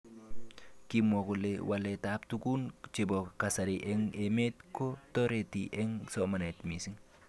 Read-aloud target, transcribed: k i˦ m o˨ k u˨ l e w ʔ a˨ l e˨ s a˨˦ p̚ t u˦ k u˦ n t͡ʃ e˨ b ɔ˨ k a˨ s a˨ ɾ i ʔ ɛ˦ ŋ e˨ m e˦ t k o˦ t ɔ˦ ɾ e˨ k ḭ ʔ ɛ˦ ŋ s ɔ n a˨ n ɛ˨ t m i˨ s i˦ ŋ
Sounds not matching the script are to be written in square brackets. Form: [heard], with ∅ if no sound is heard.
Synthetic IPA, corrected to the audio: k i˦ m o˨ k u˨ l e w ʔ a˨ l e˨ [t] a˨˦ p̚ t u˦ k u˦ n t͡ʃ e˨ b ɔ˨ k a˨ s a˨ ɾ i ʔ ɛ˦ ŋ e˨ m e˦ t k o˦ t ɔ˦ ɾ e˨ [t] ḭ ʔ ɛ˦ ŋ s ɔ [m] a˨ n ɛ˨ t m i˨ s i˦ ŋ